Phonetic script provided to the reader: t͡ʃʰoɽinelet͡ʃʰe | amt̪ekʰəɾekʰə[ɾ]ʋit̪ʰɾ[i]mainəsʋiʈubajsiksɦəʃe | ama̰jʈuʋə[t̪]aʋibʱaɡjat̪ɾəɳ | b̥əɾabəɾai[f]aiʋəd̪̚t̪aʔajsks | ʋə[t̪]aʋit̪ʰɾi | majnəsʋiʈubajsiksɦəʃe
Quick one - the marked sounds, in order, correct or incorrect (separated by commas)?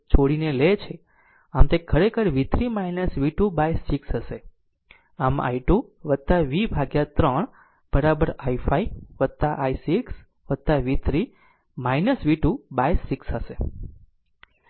correct, correct, correct, correct, correct